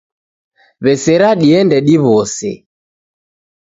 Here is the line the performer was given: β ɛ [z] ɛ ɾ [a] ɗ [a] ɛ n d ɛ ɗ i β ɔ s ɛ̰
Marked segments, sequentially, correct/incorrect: incorrect, correct, incorrect

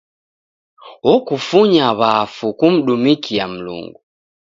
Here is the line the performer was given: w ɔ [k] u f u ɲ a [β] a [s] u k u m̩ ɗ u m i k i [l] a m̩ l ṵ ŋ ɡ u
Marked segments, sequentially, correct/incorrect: correct, correct, incorrect, incorrect

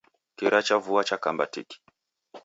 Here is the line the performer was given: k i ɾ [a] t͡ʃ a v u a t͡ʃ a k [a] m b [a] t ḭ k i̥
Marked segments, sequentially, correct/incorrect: correct, correct, correct

